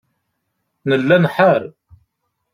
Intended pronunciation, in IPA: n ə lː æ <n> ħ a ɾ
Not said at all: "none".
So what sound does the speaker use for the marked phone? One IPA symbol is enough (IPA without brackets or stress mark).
n